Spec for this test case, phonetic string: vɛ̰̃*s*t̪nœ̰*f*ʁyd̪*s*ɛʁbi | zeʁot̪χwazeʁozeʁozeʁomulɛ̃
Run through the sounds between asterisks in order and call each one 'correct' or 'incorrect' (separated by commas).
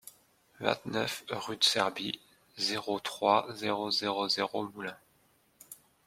incorrect, correct, correct